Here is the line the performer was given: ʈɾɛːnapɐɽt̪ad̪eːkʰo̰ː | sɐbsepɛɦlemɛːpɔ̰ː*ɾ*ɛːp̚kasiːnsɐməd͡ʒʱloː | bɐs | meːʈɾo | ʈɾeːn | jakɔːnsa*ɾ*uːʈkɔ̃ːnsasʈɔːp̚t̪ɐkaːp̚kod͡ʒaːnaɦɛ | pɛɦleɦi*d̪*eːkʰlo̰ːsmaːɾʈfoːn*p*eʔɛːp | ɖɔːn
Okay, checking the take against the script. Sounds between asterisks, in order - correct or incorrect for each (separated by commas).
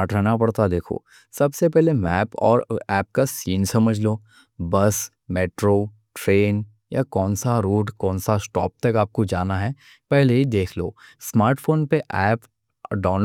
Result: correct, correct, correct, correct